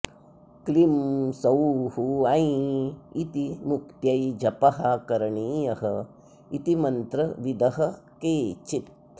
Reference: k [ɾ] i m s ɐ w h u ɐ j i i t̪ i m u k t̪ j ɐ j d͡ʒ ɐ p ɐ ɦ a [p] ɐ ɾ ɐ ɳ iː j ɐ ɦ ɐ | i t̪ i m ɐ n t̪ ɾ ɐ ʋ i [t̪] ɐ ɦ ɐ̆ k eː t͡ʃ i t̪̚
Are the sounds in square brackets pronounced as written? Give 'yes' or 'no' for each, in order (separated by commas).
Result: no, no, no